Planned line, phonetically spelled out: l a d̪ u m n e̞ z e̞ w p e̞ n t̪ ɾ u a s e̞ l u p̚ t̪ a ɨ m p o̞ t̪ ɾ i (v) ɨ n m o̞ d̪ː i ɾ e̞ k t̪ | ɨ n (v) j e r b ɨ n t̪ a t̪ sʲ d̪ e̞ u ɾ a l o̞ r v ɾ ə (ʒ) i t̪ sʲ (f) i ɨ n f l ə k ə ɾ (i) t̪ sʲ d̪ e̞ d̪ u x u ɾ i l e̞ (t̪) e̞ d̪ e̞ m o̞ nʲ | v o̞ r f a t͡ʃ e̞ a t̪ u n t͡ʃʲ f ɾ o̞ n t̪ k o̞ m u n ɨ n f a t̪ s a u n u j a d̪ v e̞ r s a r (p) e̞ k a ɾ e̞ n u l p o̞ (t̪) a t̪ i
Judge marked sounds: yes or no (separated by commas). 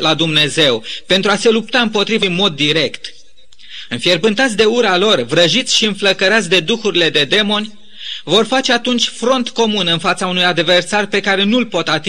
yes, no, yes, no, no, no, yes, yes